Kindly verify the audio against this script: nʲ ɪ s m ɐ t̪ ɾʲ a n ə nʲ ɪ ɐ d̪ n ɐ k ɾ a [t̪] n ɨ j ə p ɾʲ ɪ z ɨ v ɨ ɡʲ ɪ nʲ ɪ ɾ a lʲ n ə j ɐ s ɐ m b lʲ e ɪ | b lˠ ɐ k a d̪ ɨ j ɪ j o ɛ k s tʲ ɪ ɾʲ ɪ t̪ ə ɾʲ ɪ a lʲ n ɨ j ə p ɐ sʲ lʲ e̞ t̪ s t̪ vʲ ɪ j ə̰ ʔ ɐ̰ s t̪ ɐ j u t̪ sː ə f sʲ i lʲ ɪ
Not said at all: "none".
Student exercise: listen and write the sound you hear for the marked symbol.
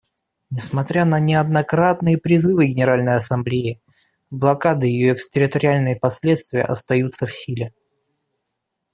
t̪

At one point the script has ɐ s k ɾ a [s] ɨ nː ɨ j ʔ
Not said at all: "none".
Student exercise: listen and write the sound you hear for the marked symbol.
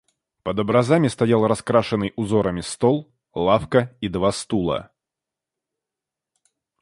ʂ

